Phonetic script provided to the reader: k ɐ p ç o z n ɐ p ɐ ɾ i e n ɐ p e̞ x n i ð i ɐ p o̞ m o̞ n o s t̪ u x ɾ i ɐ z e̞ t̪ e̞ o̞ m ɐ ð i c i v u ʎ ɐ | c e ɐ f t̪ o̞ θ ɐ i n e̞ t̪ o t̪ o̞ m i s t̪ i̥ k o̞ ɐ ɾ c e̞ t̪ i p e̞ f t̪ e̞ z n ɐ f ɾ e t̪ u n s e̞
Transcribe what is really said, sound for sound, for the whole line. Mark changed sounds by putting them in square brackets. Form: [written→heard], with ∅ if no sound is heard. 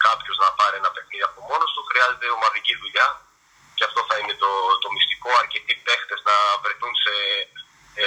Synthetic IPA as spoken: k ɐ p ç o z n ɐ p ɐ ɾ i e n ɐ p e̞ x n i ð i ɐ p o̞ m o̞ n o s t̪ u x ɾ i ɐ z e̞ t̪ e̞ o̞ m ɐ ð i c i [v→ð] u ʎ ɐ | c e ɐ f t̪ o̞ θ ɐ i n e̞ t̪ o t̪ o̞ m i s t̪ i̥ k o̞ ɐ ɾ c e̞ t̪ i p e̞ [f→x] t̪ e̞ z n ɐ [f→v] ɾ e t̪ u n s e̞